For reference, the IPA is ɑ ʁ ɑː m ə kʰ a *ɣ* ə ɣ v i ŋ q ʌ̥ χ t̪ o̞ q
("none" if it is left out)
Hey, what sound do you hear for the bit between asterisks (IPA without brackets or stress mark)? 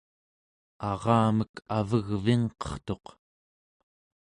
v